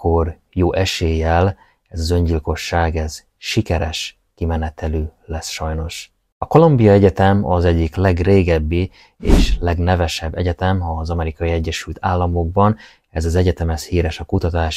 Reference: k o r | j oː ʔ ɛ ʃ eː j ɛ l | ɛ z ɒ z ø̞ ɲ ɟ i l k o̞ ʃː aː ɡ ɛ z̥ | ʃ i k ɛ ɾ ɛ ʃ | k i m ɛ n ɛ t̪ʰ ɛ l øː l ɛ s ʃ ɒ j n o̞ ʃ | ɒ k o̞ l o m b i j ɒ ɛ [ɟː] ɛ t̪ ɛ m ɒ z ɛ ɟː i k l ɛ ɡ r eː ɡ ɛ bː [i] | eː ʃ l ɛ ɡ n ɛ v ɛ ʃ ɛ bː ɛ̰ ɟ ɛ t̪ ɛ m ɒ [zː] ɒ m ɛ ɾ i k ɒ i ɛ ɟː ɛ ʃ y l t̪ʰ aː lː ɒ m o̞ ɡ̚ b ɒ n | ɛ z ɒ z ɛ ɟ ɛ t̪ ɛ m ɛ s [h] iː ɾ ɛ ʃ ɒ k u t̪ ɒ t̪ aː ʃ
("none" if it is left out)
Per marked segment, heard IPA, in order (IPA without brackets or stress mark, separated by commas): ɟ, i, z, h